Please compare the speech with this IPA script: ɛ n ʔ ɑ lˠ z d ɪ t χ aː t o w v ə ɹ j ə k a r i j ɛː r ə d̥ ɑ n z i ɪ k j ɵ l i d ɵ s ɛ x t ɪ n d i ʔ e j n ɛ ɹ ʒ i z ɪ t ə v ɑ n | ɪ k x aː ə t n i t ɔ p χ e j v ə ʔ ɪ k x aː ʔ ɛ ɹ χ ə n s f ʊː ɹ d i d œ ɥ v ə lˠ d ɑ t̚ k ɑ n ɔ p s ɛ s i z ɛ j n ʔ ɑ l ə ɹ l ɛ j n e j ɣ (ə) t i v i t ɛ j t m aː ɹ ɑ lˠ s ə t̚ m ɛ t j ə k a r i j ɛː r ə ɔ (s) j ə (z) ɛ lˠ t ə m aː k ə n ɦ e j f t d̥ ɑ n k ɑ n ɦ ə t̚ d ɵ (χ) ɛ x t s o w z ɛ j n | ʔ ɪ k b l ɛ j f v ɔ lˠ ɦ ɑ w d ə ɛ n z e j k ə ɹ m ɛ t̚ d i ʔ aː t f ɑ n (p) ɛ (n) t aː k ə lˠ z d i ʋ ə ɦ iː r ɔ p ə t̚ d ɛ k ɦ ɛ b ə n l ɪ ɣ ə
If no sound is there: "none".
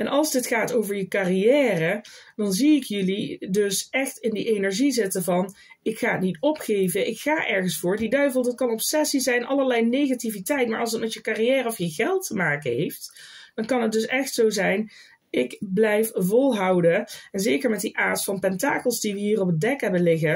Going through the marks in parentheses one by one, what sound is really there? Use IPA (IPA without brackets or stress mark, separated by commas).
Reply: a, f, ɣ, s, p, n